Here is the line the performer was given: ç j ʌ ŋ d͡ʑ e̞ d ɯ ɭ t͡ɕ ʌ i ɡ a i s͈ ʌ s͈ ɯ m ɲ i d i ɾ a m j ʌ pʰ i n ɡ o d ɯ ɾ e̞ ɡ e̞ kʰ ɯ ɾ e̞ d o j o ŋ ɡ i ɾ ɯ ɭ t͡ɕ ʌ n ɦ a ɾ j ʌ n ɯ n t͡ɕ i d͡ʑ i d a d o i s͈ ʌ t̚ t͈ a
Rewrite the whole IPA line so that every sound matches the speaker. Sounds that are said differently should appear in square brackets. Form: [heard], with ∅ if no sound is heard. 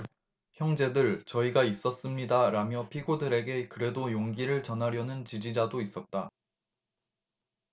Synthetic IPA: ç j ʌ ŋ d͡ʑ e̞ d ɯ ɭ t͡ɕ ʌ i ɡ a i s͈ ʌ s͈ ɯ m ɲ i d [a] ɾ a m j ʌ pʰ i [∅] ɡ o d ɯ ɾ e̞ ɡ e̞ [k] ɯ ɾ e̞ d o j o ŋ ɡ i ɾ ɯ ɭ t͡ɕ ʌ n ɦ a ɾ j ʌ n ɯ n t͡ɕ i d͡ʑ i [d͡ʑ] a d o i s͈ ʌ t̚ t͈ a